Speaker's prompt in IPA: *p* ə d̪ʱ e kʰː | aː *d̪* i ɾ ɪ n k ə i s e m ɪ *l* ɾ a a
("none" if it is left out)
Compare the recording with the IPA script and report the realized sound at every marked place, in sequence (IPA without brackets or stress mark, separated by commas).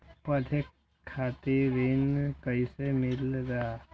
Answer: p, t̪, l